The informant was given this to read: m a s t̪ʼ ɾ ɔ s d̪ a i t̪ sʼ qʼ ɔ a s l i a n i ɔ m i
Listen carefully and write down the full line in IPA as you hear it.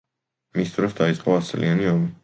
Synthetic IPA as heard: m i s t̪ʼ ɾ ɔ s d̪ a i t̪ sʼ qʼ ɔ a s l i a n i ɔ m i

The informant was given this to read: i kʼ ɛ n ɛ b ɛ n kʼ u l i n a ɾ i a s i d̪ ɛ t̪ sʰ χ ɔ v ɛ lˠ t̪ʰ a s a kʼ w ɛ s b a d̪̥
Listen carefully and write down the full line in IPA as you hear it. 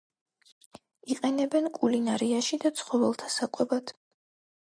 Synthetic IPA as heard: i qʼ ɛ n ɛ b ɛ n kʼ u l i n a ɾ i a ʃ i d̪ a t̪ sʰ χ ɔ v ɛ lˠ t̪ʰ a s a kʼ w ɛ b a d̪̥

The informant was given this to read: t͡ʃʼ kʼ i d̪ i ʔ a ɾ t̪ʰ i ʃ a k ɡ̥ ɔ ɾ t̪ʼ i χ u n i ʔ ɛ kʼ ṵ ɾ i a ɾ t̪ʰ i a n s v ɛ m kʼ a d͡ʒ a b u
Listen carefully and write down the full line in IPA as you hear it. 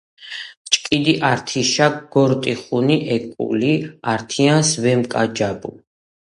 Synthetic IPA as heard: t͡ʃʼ kʼ i d̪ i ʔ a ɾ t̪ʰ i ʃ a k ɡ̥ ɔ ɾ t̪ʼ i χ u n i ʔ ɛ kʼ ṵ l i a ɾ t̪ʰ i a n s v ɛ m kʼ a d͡ʒ a b u

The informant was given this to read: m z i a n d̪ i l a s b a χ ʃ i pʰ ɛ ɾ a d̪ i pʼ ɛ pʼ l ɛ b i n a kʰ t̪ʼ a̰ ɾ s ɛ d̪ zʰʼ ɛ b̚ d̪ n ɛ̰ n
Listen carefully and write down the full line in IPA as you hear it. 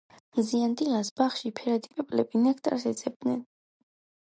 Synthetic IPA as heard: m z i a n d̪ i l a s b a χ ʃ i pʰ ɛ ɾ a d̪ i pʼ ɛ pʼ l ɛ b i n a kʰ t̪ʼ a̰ ɾ s ɛ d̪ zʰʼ ɛ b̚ d̪ n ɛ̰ n

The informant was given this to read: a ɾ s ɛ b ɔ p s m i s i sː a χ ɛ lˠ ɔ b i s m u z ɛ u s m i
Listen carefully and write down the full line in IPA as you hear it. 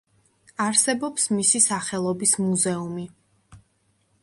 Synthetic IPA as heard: a ɾ s ɛ b ɔ p s m i s i s a χ ɛ lˠ ɔ b i s m u z ɛ u m i

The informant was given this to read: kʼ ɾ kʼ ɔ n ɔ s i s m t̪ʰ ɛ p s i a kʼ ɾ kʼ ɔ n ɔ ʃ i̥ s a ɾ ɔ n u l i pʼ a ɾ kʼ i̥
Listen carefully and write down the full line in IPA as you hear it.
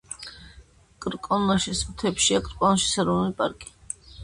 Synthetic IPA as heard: kʼ ɾ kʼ ɔ n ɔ ʃ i s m t̪ʰ ɛ p ʃ i a kʼ ɾ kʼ ɔ n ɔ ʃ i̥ s a ɾ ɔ n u l i pʼ a ɾ kʼ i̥

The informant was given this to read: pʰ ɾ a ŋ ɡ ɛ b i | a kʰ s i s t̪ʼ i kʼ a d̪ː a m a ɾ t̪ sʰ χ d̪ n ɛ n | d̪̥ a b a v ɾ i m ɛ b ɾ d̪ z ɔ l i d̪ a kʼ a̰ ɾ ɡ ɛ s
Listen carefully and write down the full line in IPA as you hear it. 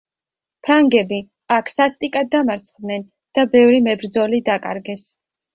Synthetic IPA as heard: pʰ ɾ a ŋ ɡ ɛ b i | a kʰ s a s t̪ʼ i kʼ a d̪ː a m a ɾ t̪ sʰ χ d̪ n ɛ n | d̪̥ a b ɛ v ɾ i m ɛ b ɾ d̪ z ɔ l i d̪ a kʼ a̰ ɾ ɡ ɛ s

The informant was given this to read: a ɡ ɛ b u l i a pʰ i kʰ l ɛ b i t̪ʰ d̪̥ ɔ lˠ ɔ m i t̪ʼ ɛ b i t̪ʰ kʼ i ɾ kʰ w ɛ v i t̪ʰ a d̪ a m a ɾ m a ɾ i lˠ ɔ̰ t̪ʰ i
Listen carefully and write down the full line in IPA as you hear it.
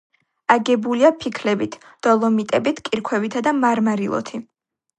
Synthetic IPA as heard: a ɡ ɛ b u l i a pʰ i kʰ l ɛ b i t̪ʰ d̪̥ ɔ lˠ ɔ m i t̪ʼ ɛ b i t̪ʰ kʼ i ɾ kʰ w ɛ v i t̪ʰ a d̪ a m a ɾ m a ɾ i lˠ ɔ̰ t̪ʰ i

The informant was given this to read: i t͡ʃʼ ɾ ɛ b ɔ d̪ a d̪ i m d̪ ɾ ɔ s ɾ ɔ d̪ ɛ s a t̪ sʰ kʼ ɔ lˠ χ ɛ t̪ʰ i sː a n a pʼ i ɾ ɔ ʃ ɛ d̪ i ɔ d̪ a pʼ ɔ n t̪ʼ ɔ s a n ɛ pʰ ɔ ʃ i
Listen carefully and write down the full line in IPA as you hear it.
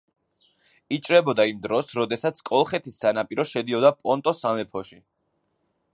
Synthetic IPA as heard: i t͡ʃʼ ɾ ɛ b ɔ d̪ a i m d̪ ɾ ɔ s ɾ ɔ d̪ ɛ s a t̪ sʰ kʼ ɔ lˠ χ ɛ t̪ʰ i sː a n a pʼ i ɾ ɔ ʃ ɛ d̪ i ɔ d̪ a pʼ ɔ n t̪ʼ ɔ s a m ɛ pʰ ɔ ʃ i

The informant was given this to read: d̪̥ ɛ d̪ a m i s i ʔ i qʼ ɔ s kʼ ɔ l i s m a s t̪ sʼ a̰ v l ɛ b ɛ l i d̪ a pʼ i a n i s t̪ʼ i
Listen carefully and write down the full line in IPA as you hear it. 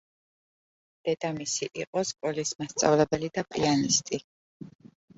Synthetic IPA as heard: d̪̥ ɛ d̪ a m i s i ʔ i qʼ ɔ s kʼ ɔ l i s m a s t̪ sʼ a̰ v l ɛ b ɛ l i d̪ a pʼ i a n i s t̪ʼ i

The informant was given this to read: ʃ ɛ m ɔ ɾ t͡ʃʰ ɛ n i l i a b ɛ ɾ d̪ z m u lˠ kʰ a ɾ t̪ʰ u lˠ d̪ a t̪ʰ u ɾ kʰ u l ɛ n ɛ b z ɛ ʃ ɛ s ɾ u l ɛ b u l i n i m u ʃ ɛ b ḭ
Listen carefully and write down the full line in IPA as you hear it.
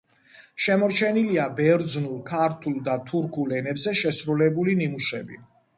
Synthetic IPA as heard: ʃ ɛ m ɔ ɾ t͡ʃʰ ɛ n i l i a b ɛ ɾ d̪ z n u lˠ kʰ a ɾ t̪ʰ u lˠ d̪ a t̪ʰ u ɾ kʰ u l ɛ n ɛ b z ɛ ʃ ɛ s ɾ u l ɛ b u l i n i m u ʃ ɛ b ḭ

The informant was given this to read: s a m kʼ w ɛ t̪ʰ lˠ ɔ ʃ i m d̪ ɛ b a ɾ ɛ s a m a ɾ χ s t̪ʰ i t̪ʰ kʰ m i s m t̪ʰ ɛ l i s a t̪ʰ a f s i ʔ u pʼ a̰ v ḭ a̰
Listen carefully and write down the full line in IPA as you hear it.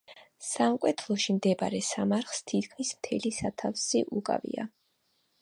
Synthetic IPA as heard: s a m kʼ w ɛ t̪ʰ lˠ ɔ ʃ i m d̪ ɛ b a ɾ ɛ s a m a ɾ χ s t̪ʰ i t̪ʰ kʰ m i s m t̪ʰ ɛ l i s a t̪ʰ a f s i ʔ u kʼ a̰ v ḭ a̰

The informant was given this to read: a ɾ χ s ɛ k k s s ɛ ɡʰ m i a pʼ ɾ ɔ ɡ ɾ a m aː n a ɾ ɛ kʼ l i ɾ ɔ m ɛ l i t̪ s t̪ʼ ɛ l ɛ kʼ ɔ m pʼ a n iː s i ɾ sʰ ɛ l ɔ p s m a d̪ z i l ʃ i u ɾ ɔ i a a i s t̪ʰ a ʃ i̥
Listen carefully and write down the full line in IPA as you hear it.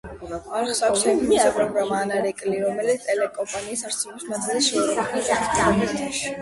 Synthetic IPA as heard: a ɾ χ s a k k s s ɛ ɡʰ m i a pʼ ɾ ɔ ɡ ɾ a m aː n a ɾ ɛ kʼ l i ɾ ɔ m ɛ l i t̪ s t̪ʼ ɛ l ɛ kʼ ɔ m pʼ a n iː s a ɾ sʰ ɛ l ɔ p s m a d̪ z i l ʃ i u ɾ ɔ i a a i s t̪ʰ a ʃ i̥

